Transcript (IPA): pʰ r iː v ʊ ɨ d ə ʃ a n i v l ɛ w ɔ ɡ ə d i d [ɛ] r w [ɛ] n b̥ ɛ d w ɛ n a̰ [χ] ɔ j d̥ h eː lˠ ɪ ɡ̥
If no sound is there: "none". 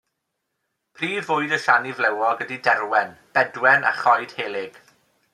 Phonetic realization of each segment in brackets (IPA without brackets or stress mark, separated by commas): ɛ, ɛ, χ